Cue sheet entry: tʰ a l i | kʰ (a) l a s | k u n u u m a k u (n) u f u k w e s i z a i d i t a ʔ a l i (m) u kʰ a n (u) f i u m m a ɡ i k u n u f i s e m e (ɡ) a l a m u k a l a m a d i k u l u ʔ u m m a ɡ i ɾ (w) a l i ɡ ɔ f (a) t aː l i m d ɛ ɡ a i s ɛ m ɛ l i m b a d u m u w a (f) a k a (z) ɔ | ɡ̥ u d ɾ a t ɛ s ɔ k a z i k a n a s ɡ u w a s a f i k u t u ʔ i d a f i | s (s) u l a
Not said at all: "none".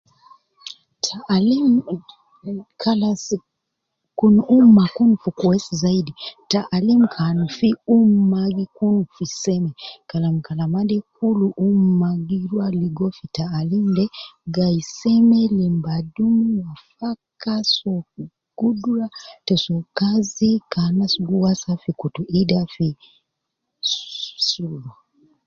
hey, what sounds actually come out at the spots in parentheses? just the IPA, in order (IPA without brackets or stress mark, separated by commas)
a, n, m, u, k, w, i, f, s, s